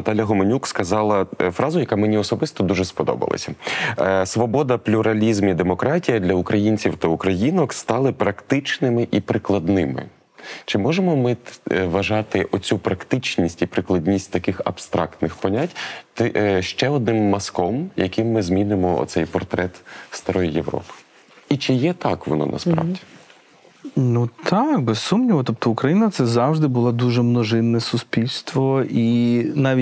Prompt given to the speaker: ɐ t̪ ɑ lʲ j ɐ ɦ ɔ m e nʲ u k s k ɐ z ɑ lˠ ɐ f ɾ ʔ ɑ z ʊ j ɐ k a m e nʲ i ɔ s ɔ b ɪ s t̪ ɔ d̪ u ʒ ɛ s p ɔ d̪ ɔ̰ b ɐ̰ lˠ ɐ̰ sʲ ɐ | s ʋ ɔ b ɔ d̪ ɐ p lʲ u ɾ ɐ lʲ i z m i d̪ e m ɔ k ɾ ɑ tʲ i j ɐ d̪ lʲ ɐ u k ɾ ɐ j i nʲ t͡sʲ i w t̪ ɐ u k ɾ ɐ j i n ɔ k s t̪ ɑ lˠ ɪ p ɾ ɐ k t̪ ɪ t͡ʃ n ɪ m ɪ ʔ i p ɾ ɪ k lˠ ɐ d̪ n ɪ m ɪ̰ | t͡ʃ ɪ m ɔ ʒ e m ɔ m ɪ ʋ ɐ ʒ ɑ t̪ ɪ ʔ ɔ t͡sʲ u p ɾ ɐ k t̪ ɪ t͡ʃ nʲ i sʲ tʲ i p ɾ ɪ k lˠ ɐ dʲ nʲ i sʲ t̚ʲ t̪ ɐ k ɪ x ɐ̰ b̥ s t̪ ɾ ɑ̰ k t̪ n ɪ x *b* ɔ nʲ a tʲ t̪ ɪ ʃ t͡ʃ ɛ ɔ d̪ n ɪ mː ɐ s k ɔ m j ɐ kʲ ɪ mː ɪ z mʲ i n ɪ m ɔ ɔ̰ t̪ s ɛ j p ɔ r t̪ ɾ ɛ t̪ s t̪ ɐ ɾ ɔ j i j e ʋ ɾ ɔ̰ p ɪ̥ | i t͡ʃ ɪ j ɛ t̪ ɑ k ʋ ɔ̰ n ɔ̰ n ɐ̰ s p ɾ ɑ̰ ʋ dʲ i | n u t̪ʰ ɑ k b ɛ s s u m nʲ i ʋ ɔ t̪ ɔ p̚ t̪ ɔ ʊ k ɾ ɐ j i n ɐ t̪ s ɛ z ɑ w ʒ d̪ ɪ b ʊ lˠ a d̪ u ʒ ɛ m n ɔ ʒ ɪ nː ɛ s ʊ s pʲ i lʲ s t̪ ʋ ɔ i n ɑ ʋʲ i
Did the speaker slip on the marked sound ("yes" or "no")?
yes